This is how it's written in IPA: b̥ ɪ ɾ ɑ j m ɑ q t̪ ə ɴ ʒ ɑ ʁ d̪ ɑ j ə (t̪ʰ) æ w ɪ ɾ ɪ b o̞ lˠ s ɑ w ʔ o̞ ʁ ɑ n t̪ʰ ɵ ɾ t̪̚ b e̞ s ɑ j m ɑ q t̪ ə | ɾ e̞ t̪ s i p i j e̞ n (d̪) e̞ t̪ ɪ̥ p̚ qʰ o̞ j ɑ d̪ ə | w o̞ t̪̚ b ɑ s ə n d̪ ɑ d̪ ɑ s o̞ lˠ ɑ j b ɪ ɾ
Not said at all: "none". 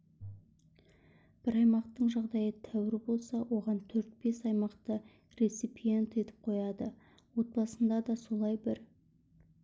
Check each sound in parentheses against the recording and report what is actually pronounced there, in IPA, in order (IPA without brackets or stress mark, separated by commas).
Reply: t̪ʰ, t̪